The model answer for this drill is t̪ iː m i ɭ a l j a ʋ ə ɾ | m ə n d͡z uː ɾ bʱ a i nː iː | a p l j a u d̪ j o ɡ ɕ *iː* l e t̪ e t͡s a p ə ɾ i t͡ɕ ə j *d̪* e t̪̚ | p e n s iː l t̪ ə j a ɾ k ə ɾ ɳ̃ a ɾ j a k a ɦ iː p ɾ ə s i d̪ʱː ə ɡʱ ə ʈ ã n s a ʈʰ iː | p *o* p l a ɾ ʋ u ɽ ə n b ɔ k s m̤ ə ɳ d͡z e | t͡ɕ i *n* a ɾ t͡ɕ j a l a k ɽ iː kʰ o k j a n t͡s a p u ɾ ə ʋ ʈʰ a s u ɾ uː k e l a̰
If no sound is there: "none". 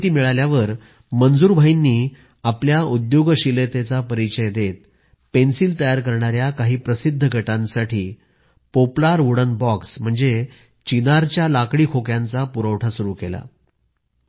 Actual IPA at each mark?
i, d̪, o, n

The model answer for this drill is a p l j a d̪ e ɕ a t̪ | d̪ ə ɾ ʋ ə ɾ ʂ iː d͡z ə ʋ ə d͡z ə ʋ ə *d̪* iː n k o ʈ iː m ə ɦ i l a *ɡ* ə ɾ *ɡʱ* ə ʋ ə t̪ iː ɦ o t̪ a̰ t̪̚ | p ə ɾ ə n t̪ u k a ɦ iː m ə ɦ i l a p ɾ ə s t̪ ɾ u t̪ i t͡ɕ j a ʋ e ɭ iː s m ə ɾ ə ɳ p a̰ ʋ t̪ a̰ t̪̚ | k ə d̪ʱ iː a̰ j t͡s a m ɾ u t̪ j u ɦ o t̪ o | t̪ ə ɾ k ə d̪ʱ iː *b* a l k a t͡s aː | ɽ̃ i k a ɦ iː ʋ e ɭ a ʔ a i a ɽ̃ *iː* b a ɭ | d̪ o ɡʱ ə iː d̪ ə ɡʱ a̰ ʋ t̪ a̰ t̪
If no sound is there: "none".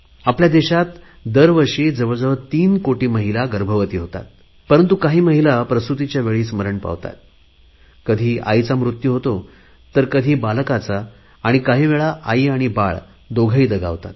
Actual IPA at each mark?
t̪, ɡ, bʱ, b, i

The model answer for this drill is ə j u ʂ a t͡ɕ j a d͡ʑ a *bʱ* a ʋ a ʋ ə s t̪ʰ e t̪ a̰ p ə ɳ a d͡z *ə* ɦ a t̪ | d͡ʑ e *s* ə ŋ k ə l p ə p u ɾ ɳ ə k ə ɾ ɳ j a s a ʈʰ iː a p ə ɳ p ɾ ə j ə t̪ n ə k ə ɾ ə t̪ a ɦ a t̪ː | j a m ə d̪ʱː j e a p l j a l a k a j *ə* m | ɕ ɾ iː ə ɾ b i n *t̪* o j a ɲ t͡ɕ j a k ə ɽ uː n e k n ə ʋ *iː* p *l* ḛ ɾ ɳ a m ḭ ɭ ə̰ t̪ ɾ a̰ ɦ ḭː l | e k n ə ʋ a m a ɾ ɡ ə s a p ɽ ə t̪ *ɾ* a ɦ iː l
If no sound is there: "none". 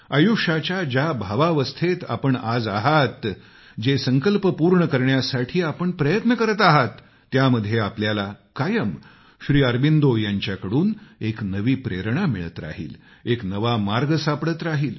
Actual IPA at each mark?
bʱ, a, s, ə, d̪, iː, ɾ, ɾ

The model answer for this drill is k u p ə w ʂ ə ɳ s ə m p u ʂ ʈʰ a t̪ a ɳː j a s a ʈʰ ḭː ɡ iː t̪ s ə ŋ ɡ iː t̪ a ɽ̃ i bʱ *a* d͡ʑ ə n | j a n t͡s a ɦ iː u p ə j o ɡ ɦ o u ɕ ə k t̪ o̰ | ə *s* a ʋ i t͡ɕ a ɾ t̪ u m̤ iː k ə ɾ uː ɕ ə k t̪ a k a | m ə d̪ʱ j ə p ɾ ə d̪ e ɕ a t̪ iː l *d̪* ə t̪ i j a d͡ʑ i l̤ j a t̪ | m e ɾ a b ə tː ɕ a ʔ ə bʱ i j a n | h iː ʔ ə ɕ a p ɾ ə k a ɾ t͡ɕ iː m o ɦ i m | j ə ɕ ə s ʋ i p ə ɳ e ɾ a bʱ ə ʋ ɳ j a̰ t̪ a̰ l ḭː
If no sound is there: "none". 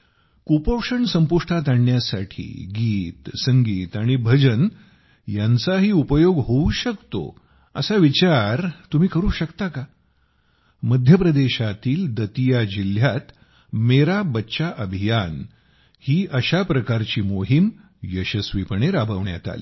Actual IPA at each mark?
ə, s, d̪

